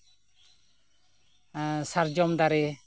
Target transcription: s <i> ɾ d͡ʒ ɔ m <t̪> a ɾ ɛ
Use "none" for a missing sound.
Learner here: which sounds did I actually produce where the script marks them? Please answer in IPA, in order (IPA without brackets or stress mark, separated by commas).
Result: a, d̪